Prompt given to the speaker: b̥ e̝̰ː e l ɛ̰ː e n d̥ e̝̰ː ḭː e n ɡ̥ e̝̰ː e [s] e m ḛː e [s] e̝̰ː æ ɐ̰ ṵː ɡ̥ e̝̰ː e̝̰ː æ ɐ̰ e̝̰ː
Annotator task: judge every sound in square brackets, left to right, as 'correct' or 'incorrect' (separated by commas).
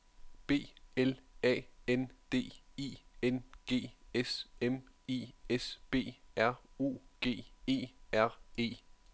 correct, correct